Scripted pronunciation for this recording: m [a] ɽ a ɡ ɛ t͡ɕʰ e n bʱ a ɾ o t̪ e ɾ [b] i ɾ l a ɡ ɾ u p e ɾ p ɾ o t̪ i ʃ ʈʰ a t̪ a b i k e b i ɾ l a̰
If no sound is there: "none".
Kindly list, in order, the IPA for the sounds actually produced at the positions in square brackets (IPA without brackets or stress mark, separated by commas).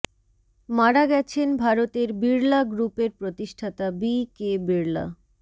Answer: a, b